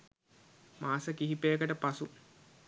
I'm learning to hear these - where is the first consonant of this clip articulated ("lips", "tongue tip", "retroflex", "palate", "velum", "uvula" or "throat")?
lips